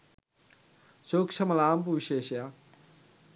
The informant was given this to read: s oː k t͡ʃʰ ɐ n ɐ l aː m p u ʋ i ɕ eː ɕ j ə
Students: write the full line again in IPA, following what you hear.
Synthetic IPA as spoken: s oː k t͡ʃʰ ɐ m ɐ l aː m p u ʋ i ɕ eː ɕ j a